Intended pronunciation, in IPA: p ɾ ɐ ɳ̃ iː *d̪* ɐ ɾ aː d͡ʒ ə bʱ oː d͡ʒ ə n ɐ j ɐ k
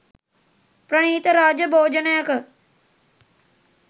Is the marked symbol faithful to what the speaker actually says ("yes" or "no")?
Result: no